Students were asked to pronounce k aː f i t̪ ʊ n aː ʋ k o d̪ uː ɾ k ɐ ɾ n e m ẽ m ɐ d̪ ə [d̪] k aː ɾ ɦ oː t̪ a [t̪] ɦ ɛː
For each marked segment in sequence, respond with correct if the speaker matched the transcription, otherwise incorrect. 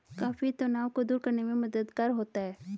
correct, incorrect: none

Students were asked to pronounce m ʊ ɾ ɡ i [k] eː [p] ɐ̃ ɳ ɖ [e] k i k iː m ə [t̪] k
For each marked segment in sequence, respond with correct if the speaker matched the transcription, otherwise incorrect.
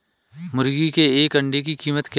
correct, incorrect: k, correct, correct

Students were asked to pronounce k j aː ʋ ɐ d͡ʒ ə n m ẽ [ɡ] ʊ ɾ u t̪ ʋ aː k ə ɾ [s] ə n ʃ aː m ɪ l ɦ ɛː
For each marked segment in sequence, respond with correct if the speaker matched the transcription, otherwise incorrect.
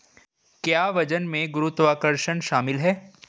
correct, incorrect: ʃ

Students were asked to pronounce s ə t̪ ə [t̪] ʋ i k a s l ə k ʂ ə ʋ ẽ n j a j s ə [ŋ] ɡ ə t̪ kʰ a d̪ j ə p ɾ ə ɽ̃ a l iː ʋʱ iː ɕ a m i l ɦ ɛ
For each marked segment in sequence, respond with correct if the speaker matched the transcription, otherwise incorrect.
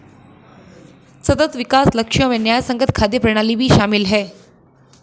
correct, correct

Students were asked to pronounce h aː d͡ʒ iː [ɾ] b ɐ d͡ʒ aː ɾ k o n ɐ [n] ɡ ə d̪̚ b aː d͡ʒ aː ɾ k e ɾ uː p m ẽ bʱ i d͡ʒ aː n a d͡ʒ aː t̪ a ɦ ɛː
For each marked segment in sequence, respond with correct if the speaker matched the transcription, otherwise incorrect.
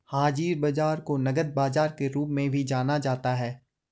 correct, incorrect: none

